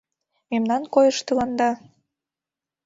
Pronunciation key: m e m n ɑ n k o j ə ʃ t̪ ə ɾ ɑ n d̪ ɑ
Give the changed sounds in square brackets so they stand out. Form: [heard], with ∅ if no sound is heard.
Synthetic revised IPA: m e m n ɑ n k o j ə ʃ t̪ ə [l] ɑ n d̪ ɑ